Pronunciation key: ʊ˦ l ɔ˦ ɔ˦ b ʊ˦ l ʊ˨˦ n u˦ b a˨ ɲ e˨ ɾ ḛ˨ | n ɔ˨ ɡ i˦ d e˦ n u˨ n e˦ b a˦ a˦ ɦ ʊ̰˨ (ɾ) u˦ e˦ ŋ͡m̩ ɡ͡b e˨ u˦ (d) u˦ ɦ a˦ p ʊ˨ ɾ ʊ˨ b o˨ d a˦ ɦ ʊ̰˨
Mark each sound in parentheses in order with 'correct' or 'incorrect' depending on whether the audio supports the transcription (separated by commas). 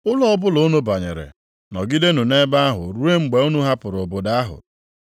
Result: correct, incorrect